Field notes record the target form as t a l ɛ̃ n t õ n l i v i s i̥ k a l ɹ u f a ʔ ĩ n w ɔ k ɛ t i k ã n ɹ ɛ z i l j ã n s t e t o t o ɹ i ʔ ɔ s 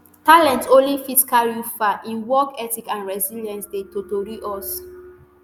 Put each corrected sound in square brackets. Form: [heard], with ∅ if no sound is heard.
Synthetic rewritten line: t a l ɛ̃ n t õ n l i [f] i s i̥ k a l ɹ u f a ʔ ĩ n w ɔ k ɛ t i k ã n ɹ ɛ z i l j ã n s [d] e t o t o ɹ i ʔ ɔ s